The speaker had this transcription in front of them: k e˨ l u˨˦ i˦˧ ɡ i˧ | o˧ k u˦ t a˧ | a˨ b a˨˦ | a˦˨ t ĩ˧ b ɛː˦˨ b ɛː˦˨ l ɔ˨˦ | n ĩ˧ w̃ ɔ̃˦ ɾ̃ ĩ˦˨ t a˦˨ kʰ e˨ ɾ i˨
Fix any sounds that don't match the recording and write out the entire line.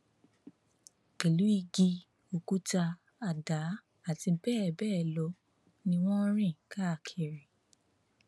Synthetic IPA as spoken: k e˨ l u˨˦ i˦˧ ɡ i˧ | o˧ k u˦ t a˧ | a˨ d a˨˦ | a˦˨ t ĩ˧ b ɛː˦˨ b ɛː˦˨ l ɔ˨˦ | n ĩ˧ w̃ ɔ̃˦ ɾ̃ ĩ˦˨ k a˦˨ kʰ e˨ ɾ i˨